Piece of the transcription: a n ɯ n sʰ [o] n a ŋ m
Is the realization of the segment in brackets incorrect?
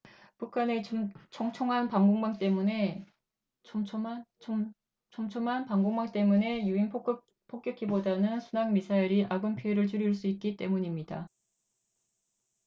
yes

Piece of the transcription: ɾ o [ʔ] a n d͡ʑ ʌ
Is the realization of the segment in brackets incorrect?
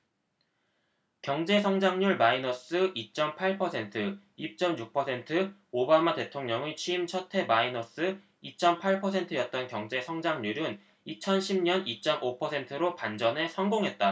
yes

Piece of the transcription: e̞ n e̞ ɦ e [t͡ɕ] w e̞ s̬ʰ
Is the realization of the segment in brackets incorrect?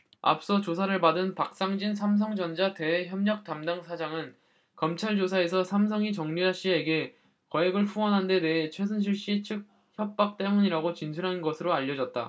yes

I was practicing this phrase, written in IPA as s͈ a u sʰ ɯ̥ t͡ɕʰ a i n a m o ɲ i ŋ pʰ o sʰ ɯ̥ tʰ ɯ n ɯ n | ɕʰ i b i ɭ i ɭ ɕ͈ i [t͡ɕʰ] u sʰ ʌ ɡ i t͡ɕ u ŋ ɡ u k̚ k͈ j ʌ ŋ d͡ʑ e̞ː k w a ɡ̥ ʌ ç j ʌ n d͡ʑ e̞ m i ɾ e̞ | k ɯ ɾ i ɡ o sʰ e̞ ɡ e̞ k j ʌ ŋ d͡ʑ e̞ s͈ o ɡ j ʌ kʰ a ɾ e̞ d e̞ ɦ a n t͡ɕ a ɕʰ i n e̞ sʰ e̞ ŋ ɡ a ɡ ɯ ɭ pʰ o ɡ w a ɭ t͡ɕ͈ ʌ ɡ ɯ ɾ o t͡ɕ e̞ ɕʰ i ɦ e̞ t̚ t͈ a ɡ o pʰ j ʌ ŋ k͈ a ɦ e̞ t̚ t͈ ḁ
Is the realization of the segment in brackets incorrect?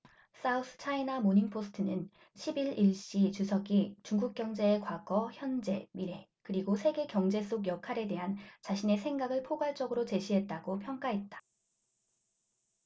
yes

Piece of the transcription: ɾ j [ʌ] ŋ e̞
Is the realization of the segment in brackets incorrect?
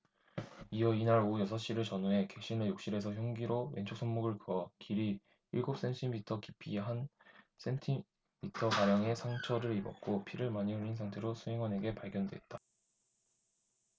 no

